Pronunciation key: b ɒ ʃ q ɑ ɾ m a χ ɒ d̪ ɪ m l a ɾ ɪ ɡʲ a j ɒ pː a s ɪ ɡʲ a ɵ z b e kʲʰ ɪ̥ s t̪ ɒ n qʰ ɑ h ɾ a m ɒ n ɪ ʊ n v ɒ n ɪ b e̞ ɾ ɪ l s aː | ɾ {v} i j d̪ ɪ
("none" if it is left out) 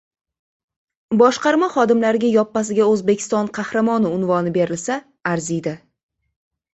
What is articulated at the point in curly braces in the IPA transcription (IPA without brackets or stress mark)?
z